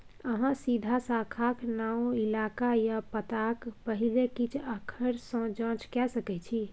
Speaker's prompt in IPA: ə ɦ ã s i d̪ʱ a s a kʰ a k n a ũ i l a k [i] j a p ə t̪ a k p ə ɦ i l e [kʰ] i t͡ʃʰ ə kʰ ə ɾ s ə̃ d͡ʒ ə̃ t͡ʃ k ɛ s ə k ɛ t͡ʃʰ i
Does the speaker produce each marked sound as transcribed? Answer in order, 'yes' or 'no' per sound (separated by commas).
no, no